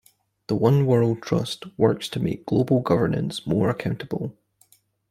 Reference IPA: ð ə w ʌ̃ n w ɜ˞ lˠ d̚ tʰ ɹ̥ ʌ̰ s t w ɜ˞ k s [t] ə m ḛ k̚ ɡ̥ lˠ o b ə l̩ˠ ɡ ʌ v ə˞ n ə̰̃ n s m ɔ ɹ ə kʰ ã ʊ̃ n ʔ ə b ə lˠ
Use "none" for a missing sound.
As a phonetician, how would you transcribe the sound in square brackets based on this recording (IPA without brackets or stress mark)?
tʰ